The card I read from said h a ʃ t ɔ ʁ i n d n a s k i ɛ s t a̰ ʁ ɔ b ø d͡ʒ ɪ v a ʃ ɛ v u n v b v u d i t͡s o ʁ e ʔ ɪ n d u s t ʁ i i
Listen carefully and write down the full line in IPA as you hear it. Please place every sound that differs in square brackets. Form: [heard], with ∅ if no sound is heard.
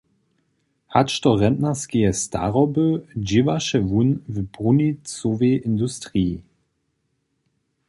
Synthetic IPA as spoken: h a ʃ t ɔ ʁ [ɛ] n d n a s k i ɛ s t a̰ ʁ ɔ b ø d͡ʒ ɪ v a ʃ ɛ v u n v b [ʁ] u [n] i t͡s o [v] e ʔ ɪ n d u s t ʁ i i